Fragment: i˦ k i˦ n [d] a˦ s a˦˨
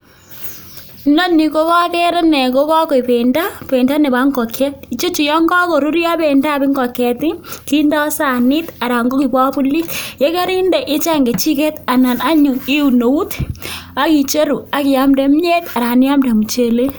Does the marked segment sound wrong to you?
no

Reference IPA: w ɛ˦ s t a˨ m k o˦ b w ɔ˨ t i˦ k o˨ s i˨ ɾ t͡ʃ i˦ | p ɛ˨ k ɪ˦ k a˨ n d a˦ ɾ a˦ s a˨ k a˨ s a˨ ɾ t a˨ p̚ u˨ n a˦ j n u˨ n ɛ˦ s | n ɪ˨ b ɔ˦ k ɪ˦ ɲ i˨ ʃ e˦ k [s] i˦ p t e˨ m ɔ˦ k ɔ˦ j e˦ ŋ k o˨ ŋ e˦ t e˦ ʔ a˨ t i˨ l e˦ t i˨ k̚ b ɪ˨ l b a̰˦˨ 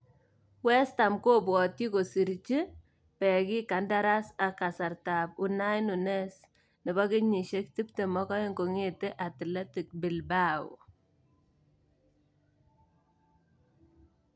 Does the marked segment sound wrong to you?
yes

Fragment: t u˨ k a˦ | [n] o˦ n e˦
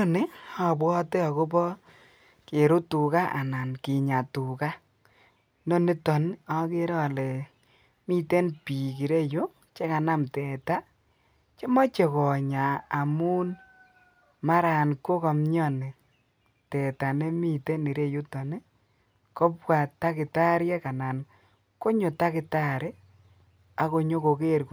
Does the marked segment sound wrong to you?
no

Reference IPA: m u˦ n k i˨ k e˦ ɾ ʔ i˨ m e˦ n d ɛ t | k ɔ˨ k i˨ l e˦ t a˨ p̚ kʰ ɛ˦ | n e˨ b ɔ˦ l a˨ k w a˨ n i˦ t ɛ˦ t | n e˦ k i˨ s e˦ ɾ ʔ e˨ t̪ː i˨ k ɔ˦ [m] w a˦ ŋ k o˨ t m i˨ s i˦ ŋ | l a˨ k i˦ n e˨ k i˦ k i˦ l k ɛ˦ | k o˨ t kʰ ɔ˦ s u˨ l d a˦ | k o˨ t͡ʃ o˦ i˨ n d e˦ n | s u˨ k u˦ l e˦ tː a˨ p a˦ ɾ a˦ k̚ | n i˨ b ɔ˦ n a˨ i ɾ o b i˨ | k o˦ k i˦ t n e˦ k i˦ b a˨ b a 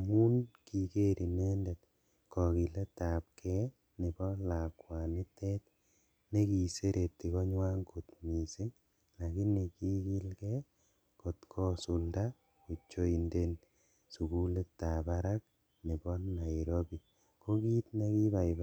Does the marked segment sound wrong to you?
yes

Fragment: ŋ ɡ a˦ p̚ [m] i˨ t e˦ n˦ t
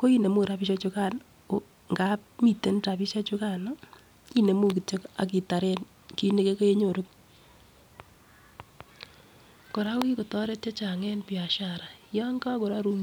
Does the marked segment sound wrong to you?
no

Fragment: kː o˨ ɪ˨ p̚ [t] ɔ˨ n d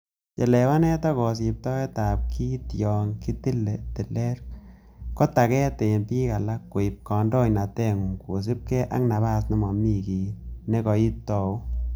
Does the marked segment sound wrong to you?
yes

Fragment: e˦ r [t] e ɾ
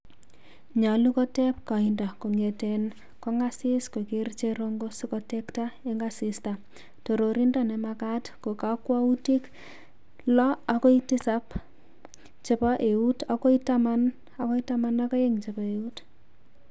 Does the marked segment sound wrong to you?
yes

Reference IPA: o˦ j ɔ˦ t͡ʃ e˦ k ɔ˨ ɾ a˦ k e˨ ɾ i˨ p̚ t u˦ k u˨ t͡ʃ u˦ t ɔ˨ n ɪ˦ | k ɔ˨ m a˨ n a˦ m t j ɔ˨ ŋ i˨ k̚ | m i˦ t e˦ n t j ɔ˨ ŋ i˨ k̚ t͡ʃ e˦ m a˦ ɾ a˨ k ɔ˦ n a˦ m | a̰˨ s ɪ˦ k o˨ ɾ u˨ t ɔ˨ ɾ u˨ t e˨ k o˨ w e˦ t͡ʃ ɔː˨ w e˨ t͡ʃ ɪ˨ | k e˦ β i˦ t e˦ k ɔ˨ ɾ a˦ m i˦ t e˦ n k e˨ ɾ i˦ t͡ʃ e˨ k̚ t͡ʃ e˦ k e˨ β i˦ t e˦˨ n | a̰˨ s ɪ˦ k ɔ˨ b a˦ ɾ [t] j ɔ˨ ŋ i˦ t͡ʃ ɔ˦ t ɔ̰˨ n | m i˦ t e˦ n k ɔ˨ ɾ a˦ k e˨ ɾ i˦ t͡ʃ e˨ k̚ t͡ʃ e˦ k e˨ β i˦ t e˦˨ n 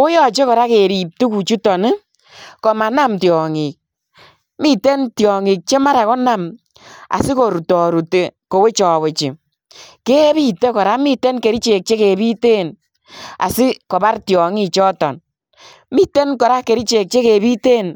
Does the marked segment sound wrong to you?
no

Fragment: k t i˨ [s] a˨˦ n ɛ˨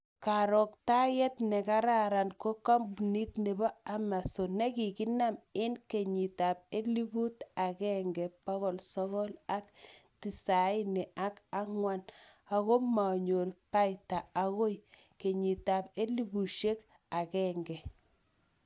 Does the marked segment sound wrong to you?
no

